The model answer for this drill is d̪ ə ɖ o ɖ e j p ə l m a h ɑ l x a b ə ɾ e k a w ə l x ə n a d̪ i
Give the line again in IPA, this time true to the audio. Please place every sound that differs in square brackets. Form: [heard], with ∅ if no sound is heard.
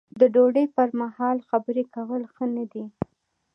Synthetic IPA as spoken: d̪ ə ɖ o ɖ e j p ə [ɾ] m a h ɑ l x a b ə ɾ e k a w ə l x ə n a d̪ i

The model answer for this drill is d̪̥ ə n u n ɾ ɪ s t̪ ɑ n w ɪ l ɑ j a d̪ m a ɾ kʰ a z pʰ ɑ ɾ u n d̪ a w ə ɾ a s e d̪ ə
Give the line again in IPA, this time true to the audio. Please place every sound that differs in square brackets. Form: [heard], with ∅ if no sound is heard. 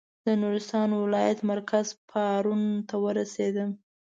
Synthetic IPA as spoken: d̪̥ ə n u [∅] ɾ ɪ s t̪ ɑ n w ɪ l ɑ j a [t̪] m a ɾ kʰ a z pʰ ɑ ɾ u n [t̪] a w ə ɾ a s e d̪ ə

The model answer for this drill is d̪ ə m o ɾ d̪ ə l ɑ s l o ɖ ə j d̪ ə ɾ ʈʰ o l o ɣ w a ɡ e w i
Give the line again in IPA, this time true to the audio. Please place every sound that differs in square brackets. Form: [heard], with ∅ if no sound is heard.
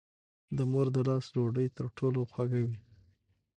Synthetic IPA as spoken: d̪ ə m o ɾ d̪ ə l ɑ s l o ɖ ə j [t̪] ə ɾ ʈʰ o l o [x] w a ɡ [a] w i

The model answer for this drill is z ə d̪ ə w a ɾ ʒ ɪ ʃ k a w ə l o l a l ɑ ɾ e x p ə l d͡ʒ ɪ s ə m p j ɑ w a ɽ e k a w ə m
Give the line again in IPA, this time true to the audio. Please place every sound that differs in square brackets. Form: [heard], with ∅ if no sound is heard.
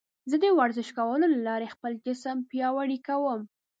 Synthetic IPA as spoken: z ə d̪ ə w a ɾ [z] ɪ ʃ k a w ə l o l a l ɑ ɾ e x p ə l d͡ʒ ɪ s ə m p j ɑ w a ɽ [i] k a w ə m

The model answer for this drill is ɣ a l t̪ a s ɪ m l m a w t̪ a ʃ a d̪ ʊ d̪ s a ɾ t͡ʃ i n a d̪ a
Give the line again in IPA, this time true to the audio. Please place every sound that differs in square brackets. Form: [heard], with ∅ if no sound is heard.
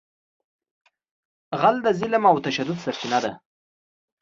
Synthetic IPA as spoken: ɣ a l [d̪] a [z] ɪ [∅] l m a w t̪ a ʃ a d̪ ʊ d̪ s a ɾ t͡ʃ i n a d̪ a

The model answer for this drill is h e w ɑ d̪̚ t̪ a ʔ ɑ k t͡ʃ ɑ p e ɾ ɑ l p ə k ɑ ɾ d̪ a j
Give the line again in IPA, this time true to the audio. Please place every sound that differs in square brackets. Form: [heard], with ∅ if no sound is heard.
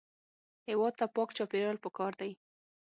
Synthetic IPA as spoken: h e w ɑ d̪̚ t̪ a [p] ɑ k t͡ʃ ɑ p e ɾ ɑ l p ə k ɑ ɾ d̪ a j

